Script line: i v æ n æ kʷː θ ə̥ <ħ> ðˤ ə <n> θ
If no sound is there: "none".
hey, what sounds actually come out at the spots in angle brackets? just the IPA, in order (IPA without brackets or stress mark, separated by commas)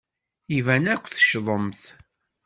ʃ, m